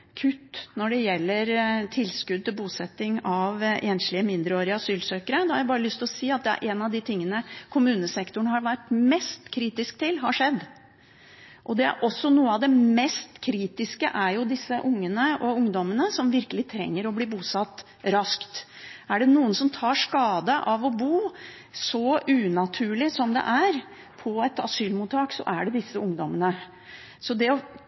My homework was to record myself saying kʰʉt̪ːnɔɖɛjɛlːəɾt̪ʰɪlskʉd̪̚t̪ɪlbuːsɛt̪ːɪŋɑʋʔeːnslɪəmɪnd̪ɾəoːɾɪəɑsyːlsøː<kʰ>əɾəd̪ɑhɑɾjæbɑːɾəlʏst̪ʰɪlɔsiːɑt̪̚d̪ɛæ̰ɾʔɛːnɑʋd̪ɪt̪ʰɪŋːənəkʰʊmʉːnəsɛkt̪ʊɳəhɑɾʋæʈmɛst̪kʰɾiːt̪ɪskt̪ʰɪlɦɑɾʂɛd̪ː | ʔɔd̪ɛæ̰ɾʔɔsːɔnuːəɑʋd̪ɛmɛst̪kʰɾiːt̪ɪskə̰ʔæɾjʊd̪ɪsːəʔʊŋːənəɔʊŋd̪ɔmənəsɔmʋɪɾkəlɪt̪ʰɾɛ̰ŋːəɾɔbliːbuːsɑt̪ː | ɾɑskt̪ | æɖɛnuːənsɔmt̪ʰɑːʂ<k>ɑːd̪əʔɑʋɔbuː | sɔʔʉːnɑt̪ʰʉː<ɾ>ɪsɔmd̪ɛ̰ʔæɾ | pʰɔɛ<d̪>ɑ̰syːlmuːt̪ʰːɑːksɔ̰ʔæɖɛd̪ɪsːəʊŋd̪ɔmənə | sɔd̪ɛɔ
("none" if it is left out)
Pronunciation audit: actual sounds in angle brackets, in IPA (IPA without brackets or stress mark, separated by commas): k, k, ɭ, t̪